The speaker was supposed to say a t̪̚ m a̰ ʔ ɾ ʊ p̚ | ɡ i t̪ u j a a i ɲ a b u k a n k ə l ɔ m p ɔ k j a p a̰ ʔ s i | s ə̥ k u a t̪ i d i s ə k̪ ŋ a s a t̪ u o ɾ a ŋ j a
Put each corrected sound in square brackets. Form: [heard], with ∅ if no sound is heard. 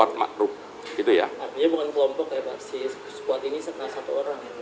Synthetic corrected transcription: a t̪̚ m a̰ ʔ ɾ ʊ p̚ | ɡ i t̪ u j a a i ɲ a b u k a n k ə l ɔ m p ɔ k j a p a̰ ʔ s i | s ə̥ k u a t̪ i [n] i s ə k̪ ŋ a s a t̪ u o ɾ a ŋ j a